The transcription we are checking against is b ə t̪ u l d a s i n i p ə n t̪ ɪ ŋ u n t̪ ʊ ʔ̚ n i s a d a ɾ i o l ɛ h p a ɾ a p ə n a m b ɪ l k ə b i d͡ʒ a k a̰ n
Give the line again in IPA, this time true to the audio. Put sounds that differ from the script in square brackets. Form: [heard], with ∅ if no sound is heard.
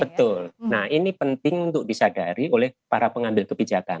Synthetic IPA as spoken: b ə t̪ [ʊ] l [n] a [h] i n i p ə n t̪ ɪ ŋ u n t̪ ʊ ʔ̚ [d] i s a d a ɾ i o l ɛ h p a ɾ a p ə [ŋ] a m b ɪ l k ə b i d͡ʒ a k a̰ n